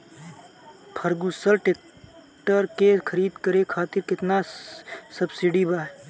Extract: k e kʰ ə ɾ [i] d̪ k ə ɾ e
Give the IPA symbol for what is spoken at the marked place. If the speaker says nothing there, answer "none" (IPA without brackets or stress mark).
iː